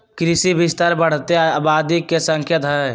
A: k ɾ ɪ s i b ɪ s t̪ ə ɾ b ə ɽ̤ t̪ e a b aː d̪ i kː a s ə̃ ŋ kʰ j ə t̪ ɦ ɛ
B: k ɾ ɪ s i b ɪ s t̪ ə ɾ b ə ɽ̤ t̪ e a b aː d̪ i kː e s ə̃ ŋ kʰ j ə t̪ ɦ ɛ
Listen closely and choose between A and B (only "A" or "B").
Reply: B